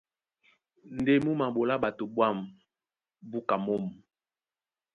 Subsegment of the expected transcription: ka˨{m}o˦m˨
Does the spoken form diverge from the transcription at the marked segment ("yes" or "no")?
no